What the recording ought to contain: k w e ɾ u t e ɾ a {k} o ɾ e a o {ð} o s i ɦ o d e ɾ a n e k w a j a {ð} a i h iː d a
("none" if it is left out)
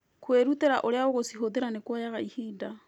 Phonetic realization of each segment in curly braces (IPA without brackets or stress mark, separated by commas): ʔ, ɣ, ɣ